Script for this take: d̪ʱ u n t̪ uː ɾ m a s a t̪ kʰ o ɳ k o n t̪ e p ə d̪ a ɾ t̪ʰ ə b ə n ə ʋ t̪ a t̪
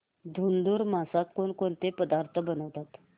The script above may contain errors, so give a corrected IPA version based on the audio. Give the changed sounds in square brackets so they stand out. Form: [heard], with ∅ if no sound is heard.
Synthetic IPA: d̪ʱ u n [d̪] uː ɾ m a s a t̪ [k] o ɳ k o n t̪ e p ə d̪ a ɾ t̪ʰ ə b ə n ə ʋ t̪ a t̪